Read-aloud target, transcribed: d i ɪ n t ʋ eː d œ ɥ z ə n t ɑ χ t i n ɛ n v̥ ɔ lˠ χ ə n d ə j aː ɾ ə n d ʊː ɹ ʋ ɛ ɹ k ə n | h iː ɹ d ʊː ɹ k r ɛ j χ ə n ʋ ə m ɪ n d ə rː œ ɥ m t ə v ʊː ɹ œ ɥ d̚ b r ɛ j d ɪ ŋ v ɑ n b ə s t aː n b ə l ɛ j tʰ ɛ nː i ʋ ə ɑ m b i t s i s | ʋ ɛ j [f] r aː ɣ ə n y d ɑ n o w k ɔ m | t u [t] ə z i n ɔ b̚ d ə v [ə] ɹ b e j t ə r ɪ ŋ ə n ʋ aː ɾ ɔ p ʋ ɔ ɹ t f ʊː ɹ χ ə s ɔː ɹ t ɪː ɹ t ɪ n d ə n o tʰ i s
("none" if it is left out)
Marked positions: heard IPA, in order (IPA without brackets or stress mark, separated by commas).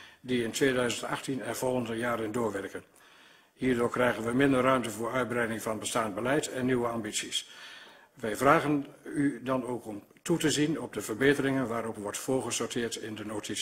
v, t, ə